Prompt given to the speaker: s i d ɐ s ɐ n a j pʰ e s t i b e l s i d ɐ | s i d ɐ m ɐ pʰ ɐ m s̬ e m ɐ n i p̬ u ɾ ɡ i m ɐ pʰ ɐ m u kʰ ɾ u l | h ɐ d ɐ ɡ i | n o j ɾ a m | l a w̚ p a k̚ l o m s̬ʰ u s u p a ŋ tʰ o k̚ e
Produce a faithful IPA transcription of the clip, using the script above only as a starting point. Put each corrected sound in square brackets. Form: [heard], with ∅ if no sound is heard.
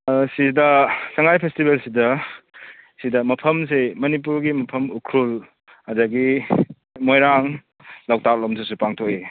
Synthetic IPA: s i d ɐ s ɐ [ŋ] a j pʰ e s t i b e l s i d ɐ | s i d ɐ m ɐ pʰ ɐ m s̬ e m ɐ n i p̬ u ɾ ɡ i m ɐ pʰ ɐ m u kʰ ɾ u l | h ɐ d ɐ ɡ i | [m] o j ɾ a [ŋ] | l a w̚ [t] a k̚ l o m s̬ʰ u s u p a ŋ tʰ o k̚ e